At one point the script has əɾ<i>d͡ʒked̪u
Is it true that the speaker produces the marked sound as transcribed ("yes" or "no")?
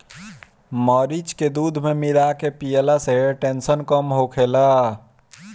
yes